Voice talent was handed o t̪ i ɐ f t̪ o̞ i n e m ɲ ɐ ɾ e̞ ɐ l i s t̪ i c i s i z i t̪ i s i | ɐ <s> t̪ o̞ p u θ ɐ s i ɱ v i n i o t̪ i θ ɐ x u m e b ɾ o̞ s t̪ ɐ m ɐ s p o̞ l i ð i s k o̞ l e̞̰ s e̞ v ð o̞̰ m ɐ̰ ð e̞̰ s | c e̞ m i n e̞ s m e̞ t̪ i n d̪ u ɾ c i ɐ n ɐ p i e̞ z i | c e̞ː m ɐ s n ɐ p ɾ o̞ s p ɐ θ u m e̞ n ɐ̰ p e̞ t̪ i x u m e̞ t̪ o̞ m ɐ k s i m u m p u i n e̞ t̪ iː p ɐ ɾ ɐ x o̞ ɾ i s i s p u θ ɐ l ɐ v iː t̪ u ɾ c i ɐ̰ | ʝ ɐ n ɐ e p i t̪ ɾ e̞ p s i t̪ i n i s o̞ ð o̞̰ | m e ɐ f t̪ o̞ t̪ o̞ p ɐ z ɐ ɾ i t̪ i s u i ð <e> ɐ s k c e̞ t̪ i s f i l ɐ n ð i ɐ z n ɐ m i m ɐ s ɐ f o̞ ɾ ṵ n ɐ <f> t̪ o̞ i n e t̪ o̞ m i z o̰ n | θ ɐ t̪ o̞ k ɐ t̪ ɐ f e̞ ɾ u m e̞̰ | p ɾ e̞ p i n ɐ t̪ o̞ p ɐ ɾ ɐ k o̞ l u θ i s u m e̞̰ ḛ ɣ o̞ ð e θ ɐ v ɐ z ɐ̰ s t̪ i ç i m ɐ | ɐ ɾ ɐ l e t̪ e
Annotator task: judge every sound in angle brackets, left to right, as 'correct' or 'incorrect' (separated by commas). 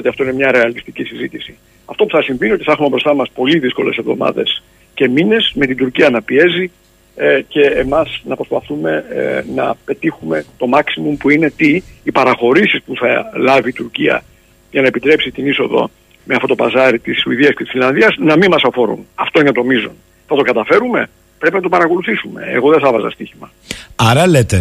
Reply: incorrect, incorrect, correct